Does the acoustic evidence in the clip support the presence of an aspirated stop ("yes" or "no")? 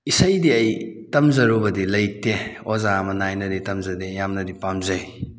no